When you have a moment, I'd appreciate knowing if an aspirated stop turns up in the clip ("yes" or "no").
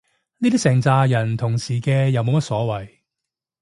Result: yes